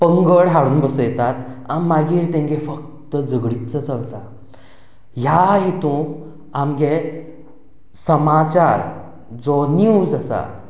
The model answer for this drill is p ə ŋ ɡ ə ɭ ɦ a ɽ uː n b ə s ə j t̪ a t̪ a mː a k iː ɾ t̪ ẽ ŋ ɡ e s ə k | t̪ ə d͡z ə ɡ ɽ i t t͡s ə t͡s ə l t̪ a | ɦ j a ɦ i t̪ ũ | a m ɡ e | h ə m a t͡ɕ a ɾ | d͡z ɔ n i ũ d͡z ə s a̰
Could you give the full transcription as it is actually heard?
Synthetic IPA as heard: p ə ŋ ɡ ə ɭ ɦ a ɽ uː n b ə s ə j t̪ a t̪ a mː a ɡ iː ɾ t̪ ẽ ŋ ɡ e f ə k | t̪ ə d͡z ə ɡ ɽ i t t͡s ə t͡s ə l t̪ a | ɦ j a ɦ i t̪ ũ | a m ɡ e | s ə m a t͡ɕ a ɾ | d͡z ɔ n i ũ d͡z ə s a̰